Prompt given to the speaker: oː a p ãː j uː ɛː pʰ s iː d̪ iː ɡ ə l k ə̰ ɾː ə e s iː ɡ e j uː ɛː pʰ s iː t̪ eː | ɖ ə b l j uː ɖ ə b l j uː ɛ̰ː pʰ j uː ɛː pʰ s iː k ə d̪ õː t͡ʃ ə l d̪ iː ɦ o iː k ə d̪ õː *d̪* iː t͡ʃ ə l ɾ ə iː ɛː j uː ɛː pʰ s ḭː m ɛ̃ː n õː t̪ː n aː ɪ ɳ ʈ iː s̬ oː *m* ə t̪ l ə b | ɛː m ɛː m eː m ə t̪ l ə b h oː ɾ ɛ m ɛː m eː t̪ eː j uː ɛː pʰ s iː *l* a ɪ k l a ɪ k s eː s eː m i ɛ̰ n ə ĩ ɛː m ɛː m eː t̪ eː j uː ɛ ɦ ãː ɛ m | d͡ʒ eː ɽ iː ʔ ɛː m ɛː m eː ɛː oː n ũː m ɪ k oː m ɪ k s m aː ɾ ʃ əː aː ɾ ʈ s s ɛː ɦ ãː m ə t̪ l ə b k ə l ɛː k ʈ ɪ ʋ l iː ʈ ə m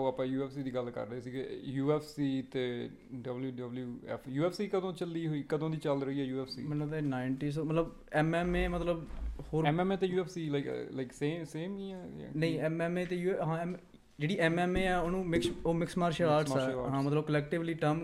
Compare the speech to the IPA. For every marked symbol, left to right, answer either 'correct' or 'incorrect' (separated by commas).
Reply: correct, correct, correct